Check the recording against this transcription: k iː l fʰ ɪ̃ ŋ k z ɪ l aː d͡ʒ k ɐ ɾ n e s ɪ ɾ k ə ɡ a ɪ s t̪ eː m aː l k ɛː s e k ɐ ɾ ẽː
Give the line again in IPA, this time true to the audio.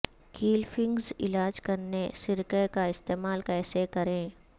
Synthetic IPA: k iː l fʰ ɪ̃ ŋ ɡ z ɪ l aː d͡ʒ k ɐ ɾ n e s ɪ ɾ k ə k a ɪ s t̪ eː m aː l k ɛː s e k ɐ ɾ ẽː